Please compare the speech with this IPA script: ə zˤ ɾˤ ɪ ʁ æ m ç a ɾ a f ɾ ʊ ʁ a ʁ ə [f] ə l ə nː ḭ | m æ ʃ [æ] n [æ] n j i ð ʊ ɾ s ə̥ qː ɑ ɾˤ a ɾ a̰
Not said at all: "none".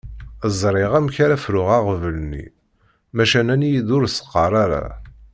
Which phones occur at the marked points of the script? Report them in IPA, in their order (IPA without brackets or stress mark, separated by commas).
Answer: v, æ, æ